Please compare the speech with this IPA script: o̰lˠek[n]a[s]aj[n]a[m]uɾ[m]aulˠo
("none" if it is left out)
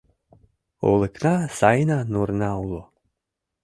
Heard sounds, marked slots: n, s, n, n, n

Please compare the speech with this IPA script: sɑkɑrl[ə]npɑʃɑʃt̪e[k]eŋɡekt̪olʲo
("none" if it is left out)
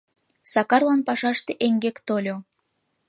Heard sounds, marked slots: ɑ, ʔ

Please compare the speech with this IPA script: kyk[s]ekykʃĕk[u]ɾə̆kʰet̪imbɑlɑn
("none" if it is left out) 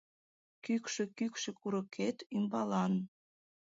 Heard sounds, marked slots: ʃ, u

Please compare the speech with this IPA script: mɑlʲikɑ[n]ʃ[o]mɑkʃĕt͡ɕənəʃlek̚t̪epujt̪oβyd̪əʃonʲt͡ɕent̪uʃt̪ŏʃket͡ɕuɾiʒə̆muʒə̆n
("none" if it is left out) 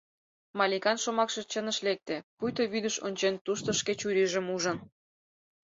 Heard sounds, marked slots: n, o

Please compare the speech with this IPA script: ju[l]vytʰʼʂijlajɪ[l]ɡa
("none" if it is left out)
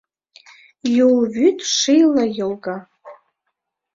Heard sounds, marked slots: l, l

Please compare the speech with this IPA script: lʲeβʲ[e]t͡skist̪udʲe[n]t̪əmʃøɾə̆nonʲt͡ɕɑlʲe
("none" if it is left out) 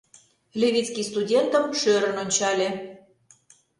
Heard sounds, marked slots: i, n

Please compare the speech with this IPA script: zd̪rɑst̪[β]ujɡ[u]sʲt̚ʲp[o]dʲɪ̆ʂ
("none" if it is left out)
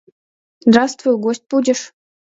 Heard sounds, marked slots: v, o, u

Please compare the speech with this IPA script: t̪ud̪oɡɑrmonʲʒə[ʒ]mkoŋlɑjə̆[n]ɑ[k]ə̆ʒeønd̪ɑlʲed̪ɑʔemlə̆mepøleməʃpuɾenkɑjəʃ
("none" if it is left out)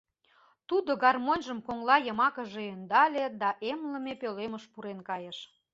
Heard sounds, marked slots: none, m, k

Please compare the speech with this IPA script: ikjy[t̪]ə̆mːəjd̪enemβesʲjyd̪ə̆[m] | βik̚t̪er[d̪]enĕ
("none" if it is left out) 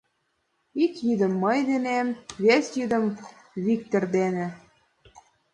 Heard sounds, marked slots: d̪, m, d̪

